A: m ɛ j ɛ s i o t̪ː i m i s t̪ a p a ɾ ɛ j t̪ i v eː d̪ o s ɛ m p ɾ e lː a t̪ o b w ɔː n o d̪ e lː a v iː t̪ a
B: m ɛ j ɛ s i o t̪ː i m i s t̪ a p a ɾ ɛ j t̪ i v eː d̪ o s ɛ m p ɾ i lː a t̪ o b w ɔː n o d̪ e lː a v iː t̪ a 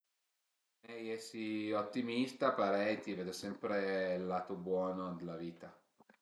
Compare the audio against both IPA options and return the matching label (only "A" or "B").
A